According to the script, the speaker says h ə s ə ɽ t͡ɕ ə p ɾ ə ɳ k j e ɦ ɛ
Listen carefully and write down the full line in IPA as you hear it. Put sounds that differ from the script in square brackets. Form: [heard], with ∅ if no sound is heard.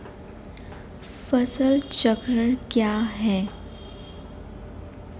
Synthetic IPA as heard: [f] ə s ə [l] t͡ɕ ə [k] ɾ ə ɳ k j [a] ɦ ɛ